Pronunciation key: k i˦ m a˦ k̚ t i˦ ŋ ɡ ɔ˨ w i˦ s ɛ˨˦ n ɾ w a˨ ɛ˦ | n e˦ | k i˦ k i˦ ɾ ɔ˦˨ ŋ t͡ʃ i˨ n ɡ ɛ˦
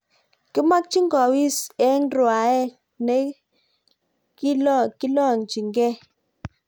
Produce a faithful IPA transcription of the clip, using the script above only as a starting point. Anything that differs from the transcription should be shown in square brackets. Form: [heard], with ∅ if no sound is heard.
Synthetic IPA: k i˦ m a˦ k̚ [t͡ʃ] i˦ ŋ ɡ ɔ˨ w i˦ s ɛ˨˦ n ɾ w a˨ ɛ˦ | n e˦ | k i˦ k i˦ [l] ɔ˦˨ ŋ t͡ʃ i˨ [ŋ] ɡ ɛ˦